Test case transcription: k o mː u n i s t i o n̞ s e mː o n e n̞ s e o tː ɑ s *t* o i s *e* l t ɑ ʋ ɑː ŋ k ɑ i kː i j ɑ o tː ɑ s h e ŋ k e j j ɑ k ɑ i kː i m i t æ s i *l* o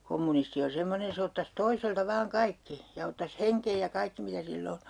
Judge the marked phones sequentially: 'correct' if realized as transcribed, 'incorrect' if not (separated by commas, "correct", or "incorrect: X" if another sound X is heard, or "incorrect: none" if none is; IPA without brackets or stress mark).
correct, correct, incorrect: lː